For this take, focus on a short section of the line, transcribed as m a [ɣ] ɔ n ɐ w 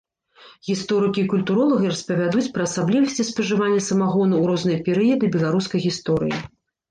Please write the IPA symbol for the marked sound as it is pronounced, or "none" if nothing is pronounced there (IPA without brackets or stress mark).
ɣ